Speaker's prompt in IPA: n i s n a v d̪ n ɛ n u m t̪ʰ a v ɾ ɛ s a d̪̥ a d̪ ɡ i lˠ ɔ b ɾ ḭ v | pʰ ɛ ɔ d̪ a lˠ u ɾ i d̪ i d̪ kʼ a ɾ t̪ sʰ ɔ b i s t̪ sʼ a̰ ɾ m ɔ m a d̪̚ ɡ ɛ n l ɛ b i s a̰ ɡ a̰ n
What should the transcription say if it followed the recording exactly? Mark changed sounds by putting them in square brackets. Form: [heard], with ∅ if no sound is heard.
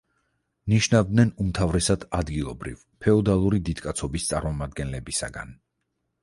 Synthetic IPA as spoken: n i [ʃ] n a v d̪ n ɛ n u m t̪ʰ a v ɾ ɛ s a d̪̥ a d̪ ɡ i lˠ ɔ b ɾ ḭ v | pʰ ɛ ɔ d̪ a lˠ u ɾ i d̪ i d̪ kʼ a [∅] t̪ sʰ ɔ b i s t̪ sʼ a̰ ɾ m ɔ m a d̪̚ ɡ ɛ n l ɛ b i s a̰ ɡ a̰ n